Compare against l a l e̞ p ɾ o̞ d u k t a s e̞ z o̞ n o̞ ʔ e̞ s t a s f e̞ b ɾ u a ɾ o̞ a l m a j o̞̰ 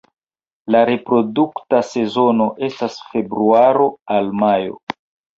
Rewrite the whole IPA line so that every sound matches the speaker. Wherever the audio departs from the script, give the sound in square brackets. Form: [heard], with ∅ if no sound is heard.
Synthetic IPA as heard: l a [ɾ] e̞ p ɾ o̞ d u k t a s e̞ z o̞ n o̞ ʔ e̞ s t a s f e̞ b ɾ u a ɾ o̞ a l m a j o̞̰